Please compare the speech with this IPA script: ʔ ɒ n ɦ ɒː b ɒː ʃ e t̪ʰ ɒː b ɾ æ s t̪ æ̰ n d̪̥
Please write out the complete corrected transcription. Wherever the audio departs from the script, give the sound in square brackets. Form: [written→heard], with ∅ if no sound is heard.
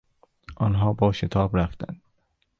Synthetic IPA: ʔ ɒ n ɦ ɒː b ɒː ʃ e t̪ʰ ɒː b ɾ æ [s→f] t̪ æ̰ n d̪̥